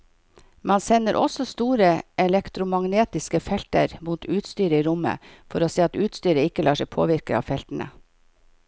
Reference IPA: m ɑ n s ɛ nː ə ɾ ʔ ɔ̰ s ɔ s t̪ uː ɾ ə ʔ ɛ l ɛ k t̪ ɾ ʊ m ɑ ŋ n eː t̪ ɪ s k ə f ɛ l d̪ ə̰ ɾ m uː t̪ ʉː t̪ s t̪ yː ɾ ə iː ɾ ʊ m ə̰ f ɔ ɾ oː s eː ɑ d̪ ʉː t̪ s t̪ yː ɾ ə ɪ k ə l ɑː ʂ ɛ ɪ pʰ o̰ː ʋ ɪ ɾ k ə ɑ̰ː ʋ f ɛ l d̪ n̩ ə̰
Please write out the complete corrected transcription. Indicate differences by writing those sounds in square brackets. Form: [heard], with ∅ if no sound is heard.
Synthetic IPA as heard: m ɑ n s ɛ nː ə ɾ ʔ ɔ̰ s ɔ s t̪ uː ɾ ə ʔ ɛ l ɛ k t̪ ɾ ʊ m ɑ ŋ n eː t̪ ɪ s k ə f ɛ l [t̪] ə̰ ɾ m uː t̪ ʉː t̪ s t̪ yː ɾ ə iː ɾ ʊ m ə̰ f ɔ ɾ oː s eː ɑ [t̪] ʉː t̪ s t̪ yː ɾ ə ɪ k ə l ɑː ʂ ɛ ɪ pʰ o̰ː ʋ ɪ ɾ k ə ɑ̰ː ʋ f ɛ l [t̪] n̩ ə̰